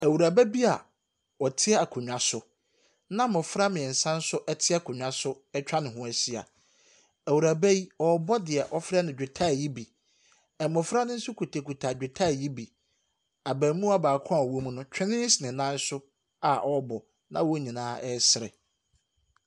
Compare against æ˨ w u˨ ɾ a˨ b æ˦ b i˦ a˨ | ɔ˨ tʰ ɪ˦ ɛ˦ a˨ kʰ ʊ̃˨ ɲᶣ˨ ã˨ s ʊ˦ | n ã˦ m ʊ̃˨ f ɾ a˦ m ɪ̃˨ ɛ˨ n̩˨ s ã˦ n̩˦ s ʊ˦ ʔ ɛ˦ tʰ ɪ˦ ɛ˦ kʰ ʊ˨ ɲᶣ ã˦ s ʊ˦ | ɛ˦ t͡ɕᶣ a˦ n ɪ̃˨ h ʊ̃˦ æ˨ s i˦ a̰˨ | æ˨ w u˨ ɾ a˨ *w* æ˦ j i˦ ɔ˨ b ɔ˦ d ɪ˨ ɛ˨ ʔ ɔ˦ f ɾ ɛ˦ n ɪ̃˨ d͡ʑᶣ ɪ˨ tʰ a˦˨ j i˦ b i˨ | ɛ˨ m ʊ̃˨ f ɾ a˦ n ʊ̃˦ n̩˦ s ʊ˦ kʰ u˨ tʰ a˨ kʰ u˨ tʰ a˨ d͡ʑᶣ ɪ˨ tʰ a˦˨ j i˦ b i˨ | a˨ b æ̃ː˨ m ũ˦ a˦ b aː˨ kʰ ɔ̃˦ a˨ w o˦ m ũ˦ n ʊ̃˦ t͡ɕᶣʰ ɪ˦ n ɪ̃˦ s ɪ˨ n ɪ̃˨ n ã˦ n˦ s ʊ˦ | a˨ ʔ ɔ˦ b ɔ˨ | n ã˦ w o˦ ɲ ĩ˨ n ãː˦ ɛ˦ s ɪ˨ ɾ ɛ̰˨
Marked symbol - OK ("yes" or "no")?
no